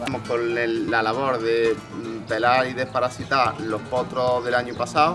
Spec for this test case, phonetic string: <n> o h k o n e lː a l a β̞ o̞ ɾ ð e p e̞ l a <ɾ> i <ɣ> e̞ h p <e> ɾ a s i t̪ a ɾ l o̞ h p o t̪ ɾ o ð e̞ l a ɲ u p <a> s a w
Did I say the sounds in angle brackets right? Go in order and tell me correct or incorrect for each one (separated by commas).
incorrect, correct, incorrect, incorrect, correct